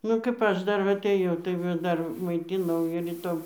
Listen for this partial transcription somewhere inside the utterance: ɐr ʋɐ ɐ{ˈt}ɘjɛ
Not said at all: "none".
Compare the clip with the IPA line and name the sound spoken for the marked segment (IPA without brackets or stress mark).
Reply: t